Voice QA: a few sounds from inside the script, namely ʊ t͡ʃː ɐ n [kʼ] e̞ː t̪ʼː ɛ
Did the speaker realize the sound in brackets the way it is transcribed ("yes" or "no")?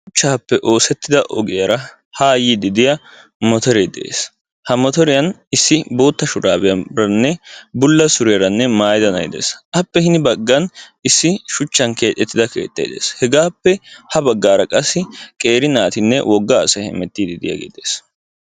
no